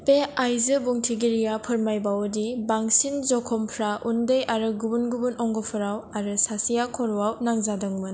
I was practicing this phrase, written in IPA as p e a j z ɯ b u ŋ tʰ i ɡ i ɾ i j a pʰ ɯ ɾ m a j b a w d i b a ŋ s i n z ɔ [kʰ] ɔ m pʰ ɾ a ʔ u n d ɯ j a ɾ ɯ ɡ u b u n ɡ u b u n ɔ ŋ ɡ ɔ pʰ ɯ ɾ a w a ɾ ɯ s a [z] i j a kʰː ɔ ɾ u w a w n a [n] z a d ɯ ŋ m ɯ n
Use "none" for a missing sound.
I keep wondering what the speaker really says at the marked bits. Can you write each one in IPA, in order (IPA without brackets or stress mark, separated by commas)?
kʰ, s, ŋ